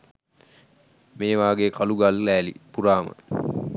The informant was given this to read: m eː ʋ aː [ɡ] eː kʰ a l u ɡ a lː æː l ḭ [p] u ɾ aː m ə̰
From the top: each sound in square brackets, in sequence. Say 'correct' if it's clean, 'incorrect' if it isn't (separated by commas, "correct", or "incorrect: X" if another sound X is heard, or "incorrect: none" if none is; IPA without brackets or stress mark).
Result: correct, correct